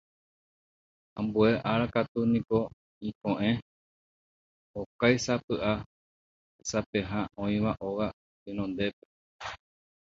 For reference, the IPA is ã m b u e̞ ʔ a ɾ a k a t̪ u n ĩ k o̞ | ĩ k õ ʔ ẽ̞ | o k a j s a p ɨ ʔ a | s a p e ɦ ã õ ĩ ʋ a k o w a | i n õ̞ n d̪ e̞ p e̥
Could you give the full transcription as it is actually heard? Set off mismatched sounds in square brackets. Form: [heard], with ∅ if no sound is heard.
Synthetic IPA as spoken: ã m b u e̞ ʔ a ɾ a k a t̪ u n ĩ k o̞ | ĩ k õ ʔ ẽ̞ | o k a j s a p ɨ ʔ a | s a p e ɦ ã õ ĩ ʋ a [ʔ] o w a | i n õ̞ n d̪ e̞ p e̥